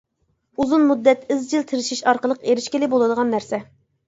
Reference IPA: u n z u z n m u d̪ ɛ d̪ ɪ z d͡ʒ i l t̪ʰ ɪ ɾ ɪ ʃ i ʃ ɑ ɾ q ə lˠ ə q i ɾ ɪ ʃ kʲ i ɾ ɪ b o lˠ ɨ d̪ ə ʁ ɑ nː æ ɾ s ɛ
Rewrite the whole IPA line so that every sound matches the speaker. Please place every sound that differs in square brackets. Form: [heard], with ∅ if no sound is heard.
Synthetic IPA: u [∅] z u [∅] n m u [d̪ː] ɛ [t̪] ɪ z d͡ʒ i l t̪ʰ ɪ ɾ ɪ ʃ i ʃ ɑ ɾ q ə lˠ ə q [e] ɾ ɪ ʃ kʲ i [l] ɪ b o lˠ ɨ d̪ ə ʁ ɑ nː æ ɾ s ɛ